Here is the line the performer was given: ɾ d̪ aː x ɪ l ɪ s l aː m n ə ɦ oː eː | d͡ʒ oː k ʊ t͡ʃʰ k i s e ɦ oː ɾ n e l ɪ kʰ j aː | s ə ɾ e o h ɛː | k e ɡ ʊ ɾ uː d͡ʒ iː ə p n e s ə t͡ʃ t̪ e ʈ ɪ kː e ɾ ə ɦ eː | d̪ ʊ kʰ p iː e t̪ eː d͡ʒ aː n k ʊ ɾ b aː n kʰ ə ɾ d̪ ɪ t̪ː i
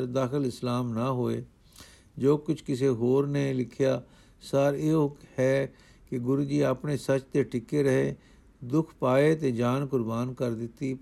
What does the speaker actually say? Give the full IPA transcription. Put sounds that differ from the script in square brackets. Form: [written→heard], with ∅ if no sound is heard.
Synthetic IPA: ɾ d̪ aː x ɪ l ɪ s l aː m n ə ɦ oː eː | d͡ʒ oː k ʊ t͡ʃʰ k [i→ɪ] s e ɦ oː ɾ n e l ɪ kʰ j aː | s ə ɾ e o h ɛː | k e ɡ ʊ ɾ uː d͡ʒ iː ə p n e s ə t͡ʃ t̪ e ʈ ɪ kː e ɾ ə ɦ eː | d̪ ʊ kʰ p [iː→aː] e t̪ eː d͡ʒ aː n k ʊ ɾ b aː n [kʰ→k] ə ɾ d̪ ɪ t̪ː i